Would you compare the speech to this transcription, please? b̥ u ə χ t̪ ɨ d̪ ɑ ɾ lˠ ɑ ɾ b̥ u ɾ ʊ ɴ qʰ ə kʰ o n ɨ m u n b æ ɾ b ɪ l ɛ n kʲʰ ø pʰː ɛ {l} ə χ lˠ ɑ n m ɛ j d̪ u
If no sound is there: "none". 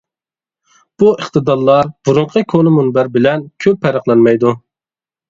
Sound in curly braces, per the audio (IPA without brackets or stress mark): ɾ